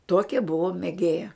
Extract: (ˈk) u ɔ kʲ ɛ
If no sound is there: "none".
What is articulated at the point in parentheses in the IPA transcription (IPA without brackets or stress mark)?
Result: t